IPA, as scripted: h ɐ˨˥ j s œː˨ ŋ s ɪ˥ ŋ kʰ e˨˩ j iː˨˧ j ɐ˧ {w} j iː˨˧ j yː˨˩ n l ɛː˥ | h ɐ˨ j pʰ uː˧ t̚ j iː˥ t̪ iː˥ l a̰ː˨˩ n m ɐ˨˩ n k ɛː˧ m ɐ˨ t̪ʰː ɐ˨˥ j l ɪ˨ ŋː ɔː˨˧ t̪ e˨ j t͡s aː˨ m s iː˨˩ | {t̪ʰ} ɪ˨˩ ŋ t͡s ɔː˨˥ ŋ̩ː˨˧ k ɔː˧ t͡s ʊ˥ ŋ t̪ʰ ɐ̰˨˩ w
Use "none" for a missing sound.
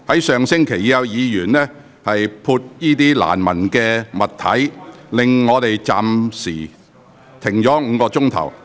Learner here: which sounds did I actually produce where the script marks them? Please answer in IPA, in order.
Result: w, t̪ʰ

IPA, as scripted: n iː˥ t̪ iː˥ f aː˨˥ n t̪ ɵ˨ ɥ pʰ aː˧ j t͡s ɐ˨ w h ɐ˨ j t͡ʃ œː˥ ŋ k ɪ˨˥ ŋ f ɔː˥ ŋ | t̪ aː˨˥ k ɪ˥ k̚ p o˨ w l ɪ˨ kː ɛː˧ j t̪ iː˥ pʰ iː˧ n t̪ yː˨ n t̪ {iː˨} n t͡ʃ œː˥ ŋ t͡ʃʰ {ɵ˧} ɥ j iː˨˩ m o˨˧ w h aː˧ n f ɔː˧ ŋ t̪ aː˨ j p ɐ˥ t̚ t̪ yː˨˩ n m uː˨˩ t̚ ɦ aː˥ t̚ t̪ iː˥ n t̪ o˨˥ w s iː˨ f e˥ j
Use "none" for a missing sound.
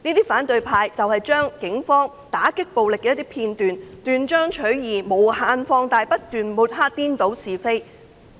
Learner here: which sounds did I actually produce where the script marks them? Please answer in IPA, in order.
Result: yː˨, ɵ˨˥

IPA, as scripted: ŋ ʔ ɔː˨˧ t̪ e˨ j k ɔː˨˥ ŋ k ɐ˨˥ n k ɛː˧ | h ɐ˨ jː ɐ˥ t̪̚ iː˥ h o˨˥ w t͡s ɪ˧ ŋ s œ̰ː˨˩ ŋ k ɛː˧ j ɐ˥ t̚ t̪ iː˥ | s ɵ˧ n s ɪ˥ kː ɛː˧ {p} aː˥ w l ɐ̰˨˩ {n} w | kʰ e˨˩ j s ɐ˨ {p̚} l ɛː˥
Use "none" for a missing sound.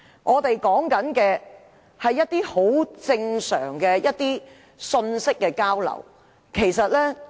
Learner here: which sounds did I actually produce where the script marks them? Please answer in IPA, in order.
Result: k, none, t̚

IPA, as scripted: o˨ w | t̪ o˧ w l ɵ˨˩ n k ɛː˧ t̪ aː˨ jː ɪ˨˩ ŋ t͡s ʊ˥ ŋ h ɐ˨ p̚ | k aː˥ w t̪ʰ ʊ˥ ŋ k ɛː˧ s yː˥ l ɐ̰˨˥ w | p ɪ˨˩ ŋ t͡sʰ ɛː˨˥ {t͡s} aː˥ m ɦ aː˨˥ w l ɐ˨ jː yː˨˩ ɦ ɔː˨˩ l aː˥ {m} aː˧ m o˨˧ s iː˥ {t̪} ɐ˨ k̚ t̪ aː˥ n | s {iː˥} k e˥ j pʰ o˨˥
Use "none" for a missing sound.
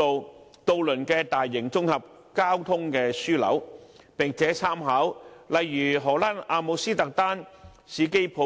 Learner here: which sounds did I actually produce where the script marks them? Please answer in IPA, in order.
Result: t͡sʰ, n, t̪, iː˨˧

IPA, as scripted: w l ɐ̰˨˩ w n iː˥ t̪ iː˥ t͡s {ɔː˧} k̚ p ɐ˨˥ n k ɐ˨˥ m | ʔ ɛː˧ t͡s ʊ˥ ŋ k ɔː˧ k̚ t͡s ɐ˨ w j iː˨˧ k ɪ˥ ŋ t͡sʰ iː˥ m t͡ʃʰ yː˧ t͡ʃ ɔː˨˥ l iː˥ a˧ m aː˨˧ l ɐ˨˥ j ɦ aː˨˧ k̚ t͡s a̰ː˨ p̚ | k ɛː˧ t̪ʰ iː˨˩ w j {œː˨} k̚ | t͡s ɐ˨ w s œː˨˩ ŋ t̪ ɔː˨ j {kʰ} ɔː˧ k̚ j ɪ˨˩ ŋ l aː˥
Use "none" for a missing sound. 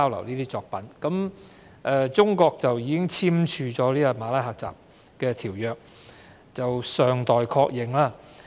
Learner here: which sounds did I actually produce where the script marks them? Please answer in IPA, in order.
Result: ɔː˧, œː˨, kʰ

